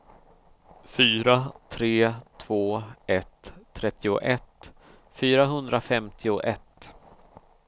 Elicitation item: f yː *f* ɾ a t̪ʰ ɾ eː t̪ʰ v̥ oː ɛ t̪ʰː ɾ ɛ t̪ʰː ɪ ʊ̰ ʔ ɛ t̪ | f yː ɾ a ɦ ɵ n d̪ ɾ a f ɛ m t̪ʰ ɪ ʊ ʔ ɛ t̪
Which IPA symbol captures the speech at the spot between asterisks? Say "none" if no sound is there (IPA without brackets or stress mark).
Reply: none